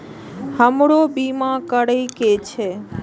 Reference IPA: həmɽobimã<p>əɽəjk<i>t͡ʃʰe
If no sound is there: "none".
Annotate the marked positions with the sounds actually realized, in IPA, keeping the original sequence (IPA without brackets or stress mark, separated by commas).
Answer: k, e